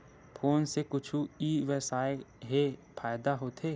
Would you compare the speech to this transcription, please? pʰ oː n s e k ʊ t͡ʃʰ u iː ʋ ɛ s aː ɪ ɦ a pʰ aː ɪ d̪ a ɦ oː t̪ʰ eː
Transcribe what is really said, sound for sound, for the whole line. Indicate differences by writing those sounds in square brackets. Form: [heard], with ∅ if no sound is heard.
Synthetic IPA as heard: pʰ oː n s e k ʊ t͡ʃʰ u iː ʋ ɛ s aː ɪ ɦ [e] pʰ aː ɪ d̪ a ɦ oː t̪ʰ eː